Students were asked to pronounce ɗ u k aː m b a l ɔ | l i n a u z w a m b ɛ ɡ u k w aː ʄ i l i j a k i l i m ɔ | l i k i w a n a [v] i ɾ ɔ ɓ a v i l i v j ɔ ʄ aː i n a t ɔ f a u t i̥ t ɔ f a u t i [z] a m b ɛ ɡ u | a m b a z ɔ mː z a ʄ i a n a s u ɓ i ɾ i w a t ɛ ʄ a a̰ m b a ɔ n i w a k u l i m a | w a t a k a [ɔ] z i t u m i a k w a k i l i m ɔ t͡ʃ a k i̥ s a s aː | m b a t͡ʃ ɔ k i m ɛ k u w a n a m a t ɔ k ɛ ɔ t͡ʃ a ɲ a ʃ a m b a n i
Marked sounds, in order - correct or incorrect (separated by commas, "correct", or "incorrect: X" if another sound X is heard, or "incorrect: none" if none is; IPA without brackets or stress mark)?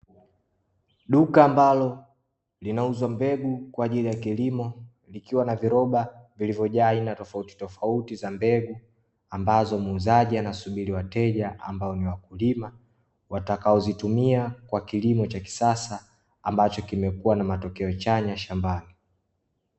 correct, correct, correct